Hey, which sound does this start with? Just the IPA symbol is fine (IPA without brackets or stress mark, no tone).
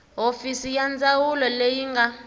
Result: ɦ